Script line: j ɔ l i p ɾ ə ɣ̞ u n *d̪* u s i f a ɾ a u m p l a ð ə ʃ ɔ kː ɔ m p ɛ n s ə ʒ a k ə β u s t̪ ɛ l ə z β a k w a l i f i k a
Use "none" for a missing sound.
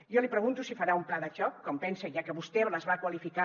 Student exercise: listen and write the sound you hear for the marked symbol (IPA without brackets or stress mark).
t̪